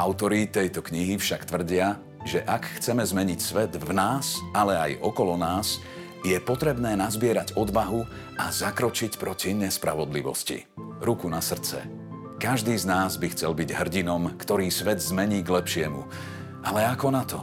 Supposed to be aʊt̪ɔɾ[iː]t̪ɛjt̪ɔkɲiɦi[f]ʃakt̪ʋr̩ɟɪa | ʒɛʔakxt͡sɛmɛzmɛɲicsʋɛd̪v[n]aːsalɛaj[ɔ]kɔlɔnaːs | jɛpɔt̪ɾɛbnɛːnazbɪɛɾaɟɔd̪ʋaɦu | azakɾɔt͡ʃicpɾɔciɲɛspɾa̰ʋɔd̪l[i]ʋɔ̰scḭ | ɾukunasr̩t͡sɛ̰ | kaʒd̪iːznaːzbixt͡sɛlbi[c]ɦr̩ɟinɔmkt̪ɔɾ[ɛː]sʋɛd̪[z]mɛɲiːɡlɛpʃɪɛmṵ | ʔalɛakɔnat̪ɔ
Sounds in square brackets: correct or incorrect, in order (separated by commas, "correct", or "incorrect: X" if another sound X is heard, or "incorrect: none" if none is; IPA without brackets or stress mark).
incorrect: i, correct, correct, correct, correct, incorrect: ɟ, incorrect: iː, correct